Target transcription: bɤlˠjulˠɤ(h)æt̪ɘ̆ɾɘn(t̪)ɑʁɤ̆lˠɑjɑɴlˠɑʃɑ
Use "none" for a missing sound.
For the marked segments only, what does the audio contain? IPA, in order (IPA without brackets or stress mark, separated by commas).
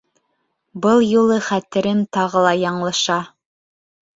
χ, t̪